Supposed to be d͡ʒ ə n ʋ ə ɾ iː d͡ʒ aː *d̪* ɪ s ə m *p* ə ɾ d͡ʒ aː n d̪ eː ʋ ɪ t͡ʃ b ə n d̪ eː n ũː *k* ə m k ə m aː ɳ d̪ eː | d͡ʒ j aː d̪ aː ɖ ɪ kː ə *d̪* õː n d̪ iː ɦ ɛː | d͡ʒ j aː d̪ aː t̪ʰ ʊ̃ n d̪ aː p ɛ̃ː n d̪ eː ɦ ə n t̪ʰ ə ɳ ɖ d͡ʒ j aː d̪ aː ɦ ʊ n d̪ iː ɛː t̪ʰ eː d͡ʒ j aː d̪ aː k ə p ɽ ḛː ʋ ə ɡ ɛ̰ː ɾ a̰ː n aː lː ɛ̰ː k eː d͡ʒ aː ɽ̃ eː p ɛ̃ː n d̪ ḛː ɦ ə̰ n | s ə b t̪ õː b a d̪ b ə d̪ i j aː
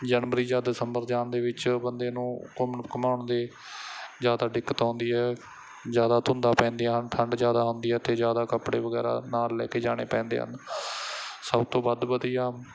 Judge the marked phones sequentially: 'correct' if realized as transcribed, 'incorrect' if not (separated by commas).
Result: correct, incorrect, correct, incorrect